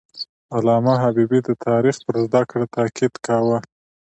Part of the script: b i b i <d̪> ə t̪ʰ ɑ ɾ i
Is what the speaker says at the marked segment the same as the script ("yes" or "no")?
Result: yes